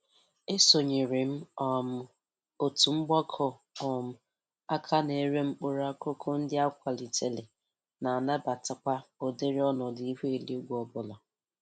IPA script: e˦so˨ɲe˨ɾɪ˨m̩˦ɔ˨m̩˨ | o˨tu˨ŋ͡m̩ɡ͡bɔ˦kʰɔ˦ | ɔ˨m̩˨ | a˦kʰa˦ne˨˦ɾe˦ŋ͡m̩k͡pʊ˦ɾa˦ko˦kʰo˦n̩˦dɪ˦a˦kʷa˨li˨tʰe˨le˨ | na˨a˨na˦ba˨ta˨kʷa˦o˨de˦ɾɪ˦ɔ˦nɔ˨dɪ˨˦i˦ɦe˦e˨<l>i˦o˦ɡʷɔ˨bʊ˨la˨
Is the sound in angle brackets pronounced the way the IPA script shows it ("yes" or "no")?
yes